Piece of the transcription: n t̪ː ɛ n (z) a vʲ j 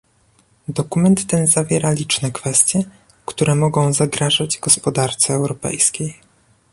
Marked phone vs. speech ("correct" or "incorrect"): correct